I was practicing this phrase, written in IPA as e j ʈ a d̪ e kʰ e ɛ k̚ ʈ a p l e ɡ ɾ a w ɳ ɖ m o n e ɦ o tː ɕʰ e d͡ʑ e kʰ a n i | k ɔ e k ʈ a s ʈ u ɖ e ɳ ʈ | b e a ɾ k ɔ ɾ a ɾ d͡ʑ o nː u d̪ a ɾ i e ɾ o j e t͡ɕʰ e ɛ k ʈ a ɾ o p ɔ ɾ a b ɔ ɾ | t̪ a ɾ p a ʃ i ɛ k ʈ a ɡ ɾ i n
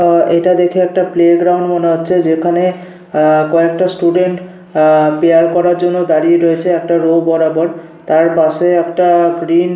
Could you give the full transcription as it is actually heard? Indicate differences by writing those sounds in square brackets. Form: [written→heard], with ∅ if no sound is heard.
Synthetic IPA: e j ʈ a d̪ e kʰ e ɛ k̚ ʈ a p l e ɡ ɾ a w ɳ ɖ m o n e ɦ o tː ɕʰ e d͡ʑ e kʰ a n [i→e] | k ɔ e k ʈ a s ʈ u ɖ e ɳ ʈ | [b→p] e a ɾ k ɔ ɾ a ɾ d͡ʑ o nː [u→o] d̪ a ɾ i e ɾ o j e t͡ɕʰ e ɛ k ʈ a ɾ o [p→b] ɔ ɾ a b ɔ ɾ | t̪ a ɾ p a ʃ [i→e] ɛ k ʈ a ɡ ɾ i n